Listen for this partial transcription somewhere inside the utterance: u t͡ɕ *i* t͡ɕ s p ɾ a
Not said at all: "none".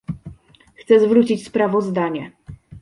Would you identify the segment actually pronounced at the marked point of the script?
i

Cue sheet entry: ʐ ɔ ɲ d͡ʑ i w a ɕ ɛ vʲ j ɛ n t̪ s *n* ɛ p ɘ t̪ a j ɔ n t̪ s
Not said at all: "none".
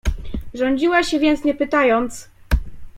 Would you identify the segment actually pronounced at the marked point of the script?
ɲ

